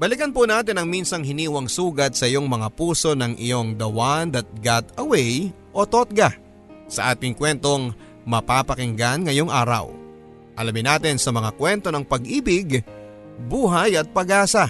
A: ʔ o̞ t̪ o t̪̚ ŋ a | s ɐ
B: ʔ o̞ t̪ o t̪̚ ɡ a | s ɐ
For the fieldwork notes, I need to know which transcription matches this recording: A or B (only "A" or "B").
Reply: B